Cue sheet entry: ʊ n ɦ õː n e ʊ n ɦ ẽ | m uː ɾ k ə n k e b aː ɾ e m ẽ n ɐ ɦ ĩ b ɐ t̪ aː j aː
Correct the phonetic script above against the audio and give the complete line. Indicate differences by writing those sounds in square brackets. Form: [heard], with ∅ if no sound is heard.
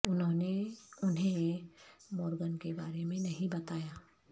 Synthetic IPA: ʊ n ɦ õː n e ʊ n ɦ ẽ | m [ɔː] ɾ [ɡ] ə n k e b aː ɾ e m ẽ n ɐ ɦ ĩ b ɐ t̪ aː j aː